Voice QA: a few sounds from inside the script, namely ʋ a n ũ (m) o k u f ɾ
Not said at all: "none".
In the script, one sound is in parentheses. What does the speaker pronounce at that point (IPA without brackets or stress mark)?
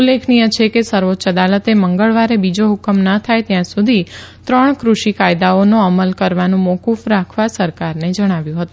m